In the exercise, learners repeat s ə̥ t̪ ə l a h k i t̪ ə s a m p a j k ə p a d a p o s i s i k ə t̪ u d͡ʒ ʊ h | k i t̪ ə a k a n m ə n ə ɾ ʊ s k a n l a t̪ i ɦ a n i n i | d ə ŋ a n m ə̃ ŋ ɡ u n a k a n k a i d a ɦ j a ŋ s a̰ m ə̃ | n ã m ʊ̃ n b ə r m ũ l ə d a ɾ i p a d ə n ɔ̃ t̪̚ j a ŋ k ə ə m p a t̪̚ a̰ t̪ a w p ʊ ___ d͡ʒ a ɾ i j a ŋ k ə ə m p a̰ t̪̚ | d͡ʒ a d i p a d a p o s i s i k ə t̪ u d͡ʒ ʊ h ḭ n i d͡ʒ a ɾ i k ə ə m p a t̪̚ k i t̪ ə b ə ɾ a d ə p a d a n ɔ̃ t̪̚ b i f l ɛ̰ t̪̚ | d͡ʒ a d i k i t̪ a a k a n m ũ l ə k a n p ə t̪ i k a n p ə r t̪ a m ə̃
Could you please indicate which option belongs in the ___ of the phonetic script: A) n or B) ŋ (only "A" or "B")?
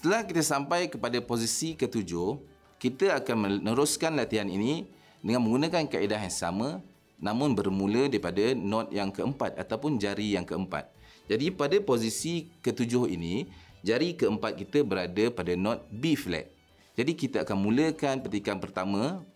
A